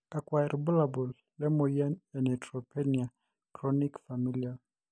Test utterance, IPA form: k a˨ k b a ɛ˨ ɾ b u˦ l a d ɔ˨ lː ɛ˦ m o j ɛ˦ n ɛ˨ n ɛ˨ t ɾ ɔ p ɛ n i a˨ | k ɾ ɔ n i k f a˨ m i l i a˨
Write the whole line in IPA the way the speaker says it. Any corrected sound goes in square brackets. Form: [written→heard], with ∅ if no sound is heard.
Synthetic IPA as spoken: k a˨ k [b→w] a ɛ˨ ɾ b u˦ l a [d→b] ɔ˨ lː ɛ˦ m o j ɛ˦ n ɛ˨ n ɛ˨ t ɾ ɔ p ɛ n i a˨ | k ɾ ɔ n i k f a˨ m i l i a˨